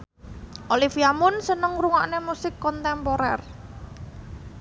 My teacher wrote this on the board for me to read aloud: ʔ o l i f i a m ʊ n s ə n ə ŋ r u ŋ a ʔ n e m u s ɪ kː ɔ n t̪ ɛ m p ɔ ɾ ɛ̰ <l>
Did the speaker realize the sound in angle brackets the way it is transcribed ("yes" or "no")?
no